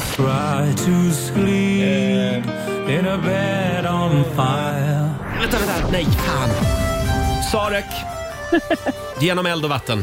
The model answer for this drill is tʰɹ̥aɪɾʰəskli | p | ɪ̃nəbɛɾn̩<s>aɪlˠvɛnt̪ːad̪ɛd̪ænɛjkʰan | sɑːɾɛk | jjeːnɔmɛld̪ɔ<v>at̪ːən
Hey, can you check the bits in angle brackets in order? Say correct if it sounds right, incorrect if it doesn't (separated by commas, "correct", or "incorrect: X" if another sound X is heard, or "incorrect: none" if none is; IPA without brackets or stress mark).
incorrect: f, correct